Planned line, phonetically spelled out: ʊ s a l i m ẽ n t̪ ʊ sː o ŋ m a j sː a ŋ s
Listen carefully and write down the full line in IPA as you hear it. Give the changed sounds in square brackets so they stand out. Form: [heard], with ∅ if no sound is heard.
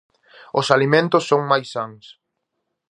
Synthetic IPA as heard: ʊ s a l i m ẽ n t̪ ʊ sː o ŋ m a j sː a ŋ s